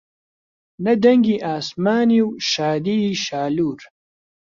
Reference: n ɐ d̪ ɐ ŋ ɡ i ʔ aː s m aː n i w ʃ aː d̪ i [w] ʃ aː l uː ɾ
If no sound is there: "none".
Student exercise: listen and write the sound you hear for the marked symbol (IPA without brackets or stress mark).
none